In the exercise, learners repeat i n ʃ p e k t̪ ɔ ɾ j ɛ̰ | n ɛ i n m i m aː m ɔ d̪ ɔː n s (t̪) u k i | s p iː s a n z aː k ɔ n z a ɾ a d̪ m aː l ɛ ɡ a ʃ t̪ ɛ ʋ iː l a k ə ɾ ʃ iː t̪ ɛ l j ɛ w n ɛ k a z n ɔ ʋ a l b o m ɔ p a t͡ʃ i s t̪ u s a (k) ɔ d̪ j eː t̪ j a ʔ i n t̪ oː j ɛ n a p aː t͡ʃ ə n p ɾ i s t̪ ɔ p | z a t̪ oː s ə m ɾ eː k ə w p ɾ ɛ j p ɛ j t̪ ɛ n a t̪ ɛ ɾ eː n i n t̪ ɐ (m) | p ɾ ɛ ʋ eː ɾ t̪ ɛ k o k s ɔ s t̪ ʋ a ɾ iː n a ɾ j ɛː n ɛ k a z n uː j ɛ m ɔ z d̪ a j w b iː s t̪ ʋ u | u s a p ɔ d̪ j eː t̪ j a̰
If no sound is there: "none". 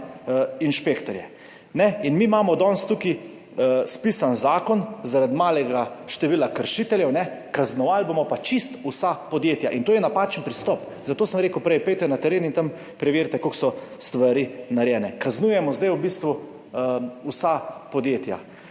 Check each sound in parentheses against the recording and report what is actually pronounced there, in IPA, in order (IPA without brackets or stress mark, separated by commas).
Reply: t̪, p, m